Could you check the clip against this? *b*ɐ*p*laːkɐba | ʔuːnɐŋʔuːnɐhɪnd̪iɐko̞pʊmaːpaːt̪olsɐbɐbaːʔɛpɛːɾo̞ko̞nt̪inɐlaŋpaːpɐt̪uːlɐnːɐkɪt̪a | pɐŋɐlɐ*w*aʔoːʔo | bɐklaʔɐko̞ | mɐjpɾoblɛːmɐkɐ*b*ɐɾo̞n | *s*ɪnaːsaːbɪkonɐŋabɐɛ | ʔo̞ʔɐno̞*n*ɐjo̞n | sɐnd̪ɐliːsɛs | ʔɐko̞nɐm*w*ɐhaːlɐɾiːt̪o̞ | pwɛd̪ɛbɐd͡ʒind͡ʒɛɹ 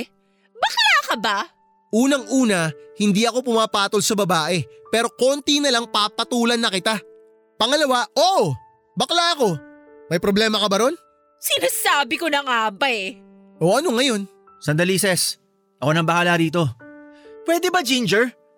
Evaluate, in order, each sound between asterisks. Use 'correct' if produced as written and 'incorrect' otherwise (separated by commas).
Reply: correct, incorrect, correct, correct, correct, incorrect, incorrect